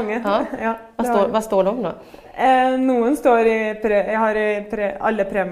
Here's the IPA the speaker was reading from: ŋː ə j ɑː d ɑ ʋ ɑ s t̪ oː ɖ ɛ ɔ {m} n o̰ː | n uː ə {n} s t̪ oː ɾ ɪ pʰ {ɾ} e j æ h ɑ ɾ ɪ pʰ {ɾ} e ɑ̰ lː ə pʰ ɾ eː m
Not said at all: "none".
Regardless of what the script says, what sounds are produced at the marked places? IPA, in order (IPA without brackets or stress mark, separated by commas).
m, n, ɾ, ɾ